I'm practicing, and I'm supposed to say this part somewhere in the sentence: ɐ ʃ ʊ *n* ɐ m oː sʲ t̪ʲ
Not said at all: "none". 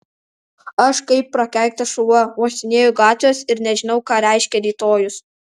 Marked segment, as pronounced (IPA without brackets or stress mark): none